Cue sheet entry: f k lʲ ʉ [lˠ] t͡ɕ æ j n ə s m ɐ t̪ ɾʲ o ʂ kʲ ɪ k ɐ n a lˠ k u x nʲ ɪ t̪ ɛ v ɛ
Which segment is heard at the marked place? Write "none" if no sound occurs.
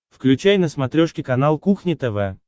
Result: none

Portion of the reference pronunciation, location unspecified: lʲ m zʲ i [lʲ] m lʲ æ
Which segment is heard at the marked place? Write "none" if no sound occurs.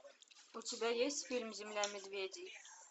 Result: none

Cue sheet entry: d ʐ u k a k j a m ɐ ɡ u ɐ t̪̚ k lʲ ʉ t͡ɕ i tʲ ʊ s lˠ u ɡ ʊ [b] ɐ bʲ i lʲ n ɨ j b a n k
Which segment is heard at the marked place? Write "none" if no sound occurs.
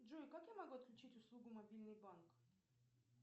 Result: m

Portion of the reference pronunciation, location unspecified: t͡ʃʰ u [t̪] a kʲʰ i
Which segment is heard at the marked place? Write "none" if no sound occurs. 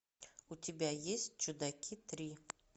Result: d̪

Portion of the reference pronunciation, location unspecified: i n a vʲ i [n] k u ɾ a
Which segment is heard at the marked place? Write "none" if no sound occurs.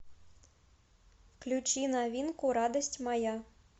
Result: n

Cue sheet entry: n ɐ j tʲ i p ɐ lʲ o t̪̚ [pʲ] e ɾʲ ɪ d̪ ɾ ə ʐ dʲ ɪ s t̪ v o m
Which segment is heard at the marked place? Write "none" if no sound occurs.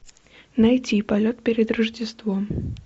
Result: pʲ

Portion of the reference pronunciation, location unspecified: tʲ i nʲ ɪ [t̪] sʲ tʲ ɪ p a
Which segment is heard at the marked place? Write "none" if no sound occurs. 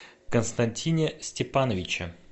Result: none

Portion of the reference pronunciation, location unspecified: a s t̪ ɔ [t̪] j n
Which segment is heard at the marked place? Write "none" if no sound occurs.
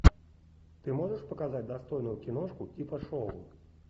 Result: none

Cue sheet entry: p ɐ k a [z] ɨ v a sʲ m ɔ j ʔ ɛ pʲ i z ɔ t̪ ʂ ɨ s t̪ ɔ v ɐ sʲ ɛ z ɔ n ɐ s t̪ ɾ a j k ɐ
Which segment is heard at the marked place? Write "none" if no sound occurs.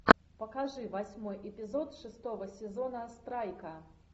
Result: ʐ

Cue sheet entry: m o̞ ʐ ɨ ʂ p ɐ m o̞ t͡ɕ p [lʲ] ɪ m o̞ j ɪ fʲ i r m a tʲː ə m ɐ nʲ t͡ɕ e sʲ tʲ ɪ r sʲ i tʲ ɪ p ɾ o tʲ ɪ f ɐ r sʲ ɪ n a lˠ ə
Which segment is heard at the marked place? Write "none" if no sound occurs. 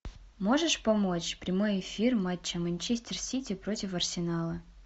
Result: ɾʲ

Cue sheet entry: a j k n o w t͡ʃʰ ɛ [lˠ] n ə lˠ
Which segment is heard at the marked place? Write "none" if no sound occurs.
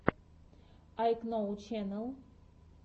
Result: none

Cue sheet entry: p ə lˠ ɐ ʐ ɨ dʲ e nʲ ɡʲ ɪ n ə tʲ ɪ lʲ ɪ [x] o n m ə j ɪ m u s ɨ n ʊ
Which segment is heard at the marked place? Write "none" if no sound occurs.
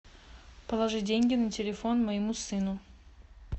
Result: f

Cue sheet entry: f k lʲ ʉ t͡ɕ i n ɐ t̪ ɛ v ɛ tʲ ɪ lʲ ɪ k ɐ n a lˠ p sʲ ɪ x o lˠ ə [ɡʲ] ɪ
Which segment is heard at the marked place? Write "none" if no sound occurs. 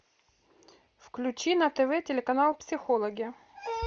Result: ɡʲ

